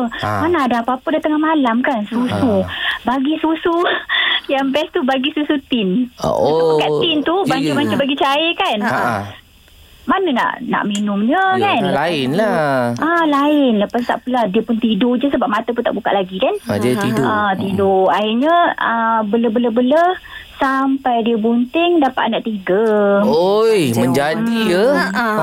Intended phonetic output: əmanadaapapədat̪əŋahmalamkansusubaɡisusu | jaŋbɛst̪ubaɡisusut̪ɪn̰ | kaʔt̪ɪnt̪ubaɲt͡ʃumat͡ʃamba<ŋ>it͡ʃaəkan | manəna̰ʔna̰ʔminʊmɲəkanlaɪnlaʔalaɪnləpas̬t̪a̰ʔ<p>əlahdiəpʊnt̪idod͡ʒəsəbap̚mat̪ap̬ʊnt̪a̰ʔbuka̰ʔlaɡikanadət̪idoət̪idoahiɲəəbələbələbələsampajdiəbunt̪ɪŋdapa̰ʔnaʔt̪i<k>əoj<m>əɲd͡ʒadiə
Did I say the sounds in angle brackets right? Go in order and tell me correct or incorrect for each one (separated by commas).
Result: incorrect, correct, incorrect, correct